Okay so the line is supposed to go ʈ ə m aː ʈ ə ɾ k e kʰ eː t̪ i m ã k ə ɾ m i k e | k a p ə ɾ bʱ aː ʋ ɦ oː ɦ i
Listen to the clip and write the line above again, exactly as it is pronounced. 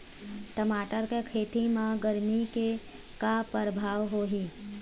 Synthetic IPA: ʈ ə m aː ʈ ə ɾ k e kʰ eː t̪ i m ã ɡ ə ɾ m i k e | k a p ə ɾ bʱ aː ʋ ɦ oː ɦ i